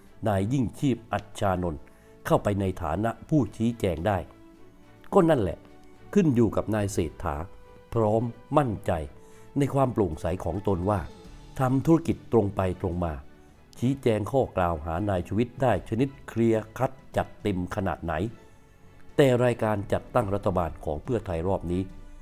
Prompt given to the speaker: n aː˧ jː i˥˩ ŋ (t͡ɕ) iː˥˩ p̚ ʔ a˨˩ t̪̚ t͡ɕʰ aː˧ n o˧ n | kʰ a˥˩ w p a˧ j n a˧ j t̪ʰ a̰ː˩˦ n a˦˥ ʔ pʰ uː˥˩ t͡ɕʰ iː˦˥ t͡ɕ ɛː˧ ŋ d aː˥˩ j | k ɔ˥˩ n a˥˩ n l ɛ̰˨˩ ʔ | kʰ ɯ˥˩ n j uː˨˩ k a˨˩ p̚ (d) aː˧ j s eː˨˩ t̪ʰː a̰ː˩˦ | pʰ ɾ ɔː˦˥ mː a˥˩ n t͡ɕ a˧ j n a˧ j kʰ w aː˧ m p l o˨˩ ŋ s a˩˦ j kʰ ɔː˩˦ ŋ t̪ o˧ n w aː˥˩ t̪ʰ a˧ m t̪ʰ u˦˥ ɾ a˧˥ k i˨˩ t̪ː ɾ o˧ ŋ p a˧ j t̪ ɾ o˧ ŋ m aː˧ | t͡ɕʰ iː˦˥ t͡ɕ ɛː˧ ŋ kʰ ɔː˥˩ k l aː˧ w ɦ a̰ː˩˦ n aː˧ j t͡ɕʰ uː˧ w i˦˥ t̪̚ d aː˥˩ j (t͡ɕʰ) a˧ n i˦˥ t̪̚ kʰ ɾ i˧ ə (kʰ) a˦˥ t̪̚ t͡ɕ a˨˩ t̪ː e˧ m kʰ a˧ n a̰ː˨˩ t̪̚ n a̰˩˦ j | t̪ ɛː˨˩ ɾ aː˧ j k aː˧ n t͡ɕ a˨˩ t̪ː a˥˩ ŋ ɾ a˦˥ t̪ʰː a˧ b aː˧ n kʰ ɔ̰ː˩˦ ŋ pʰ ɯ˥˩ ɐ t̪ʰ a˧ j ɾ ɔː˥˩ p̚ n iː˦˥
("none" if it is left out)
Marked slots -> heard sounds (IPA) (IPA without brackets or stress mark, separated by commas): t͡ɕʰ, n, t͡ɕʰ, kʰ